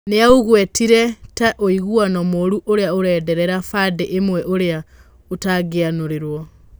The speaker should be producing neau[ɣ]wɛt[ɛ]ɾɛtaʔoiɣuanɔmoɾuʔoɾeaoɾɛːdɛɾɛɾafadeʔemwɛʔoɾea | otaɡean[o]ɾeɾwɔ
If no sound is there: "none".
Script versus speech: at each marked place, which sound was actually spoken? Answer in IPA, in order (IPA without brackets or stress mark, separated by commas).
ɣ, i, o